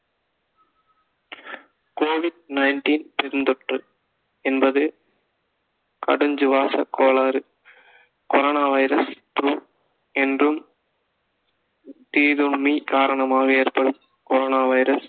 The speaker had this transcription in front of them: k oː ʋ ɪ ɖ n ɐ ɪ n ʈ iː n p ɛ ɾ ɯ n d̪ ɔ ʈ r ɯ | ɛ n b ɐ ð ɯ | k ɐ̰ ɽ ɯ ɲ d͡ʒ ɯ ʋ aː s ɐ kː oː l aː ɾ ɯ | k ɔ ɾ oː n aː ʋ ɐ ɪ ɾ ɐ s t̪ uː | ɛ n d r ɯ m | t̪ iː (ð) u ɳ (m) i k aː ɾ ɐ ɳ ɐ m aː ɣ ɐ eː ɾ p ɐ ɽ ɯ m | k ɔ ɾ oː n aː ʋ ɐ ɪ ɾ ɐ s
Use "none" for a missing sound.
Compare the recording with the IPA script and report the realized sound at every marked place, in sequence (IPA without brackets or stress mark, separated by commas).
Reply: ð, m